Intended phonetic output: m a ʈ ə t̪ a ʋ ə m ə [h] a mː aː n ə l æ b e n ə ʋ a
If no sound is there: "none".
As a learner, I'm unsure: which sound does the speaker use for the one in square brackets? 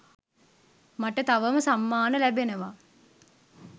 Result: s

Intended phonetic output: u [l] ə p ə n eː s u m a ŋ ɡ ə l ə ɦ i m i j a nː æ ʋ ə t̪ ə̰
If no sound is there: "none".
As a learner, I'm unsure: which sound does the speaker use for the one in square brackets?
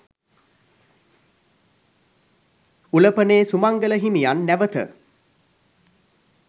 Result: l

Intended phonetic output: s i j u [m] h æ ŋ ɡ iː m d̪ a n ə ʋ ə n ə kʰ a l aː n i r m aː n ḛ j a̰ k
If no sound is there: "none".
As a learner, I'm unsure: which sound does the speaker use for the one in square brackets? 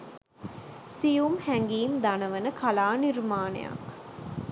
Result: m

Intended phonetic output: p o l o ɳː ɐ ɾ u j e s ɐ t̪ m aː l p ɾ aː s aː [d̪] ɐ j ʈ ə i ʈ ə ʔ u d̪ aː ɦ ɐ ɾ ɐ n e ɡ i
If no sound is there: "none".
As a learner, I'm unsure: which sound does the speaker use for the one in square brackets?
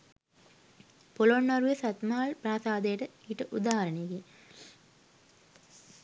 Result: d̪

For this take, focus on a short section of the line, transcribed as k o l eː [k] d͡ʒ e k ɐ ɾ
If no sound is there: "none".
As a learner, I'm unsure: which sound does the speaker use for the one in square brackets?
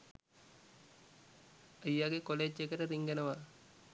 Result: none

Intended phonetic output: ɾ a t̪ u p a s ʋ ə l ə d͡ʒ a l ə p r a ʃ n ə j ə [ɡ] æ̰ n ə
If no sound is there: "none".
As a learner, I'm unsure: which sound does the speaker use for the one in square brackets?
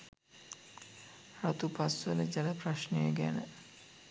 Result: ɡ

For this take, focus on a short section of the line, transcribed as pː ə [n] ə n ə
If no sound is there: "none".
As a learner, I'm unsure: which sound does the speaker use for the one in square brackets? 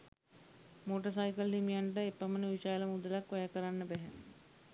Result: m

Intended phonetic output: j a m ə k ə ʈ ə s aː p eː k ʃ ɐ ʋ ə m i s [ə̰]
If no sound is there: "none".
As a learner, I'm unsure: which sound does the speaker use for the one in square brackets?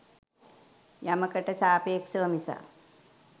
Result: a̰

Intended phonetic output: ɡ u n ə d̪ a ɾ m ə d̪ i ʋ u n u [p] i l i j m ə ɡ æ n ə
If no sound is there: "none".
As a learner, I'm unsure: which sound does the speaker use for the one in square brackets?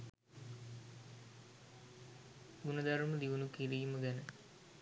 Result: k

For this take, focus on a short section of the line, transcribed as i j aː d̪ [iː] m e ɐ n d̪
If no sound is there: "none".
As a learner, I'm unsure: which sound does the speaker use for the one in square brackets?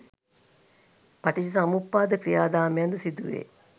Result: aː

